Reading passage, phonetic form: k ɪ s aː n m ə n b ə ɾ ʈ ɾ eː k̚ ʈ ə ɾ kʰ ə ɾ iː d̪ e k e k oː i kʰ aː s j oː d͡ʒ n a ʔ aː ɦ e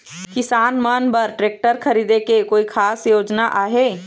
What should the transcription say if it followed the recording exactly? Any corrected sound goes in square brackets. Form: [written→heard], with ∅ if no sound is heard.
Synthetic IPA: k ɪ s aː n m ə n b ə ɾ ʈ ɾ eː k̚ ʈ ə ɾ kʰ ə ɾ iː d̪ e k e k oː i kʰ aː s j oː d͡ʒ n a ʔ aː ɦ e